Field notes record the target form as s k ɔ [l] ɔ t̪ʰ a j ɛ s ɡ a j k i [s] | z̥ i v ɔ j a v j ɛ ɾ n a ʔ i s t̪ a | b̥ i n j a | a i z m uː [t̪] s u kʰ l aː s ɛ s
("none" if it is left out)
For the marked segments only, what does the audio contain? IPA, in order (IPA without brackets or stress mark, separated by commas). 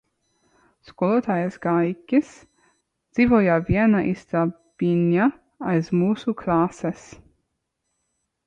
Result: l, s, none